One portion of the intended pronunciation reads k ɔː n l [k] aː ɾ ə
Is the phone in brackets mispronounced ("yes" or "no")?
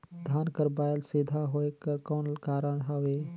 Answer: no